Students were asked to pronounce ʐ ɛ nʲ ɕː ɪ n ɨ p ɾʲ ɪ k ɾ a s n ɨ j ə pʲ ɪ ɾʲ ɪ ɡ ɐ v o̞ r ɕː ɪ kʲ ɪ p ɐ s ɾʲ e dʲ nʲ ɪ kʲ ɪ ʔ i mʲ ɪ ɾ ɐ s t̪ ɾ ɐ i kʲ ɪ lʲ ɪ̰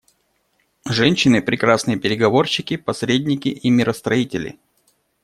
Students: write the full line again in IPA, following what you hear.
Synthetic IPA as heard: ʐ ɛ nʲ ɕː ɪ n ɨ p ɾʲ ɪ k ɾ a s n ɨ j ə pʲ ɪ ɾʲ ɪ ɡ ɐ v o̞ r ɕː ɪ kʲ ɪ p ɐ s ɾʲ e dʲ nʲ ɪ kʲ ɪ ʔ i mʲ ɪ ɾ ə s t̪ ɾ ɐ i tʲ ɪ lʲ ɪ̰